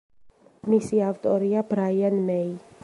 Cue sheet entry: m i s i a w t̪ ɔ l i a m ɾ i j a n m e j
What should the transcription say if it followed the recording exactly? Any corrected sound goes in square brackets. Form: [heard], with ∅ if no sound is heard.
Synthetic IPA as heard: m i s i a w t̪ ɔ [ɾ] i a [b] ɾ [a] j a n m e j